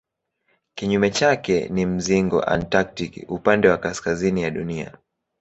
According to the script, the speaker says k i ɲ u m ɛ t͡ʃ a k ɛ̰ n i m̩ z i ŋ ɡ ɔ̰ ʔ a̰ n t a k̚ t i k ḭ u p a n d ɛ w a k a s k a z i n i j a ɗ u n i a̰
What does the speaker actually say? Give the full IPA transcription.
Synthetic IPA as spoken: k i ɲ u m ɛ t͡ʃ a k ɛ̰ n i m̩ z i ŋ ɡ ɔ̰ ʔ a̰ n t a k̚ t i k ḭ u p a n d ɛ w a k a s k a z i n i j a ɗ u n i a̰